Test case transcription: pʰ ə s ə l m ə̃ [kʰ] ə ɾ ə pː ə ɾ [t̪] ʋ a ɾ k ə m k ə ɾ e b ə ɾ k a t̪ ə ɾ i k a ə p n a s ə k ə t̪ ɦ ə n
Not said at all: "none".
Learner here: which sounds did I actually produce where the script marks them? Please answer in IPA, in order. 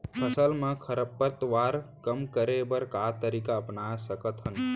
kʰ, t̪

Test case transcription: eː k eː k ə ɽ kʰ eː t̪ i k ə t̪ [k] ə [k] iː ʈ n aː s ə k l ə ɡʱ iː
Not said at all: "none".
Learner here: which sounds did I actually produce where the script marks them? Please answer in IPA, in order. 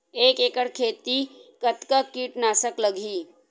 k, k

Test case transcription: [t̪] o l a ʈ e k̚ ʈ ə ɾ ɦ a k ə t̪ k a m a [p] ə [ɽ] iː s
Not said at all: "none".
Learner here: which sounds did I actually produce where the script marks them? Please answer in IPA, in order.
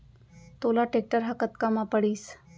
t̪, p, ɽ

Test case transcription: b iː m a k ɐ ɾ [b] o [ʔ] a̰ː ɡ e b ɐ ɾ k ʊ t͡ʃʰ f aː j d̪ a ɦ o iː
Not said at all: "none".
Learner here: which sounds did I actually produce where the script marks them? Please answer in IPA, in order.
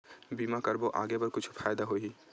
b, ʔ

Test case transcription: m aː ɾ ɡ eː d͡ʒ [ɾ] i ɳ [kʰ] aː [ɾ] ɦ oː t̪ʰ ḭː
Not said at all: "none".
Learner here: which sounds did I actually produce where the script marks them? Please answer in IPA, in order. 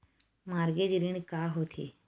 ɾ, k, none

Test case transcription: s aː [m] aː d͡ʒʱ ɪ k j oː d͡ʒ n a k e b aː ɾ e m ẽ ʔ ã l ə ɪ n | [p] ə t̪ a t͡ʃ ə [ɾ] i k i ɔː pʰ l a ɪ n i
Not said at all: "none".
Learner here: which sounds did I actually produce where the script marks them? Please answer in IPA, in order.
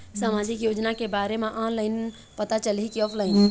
m, p, l

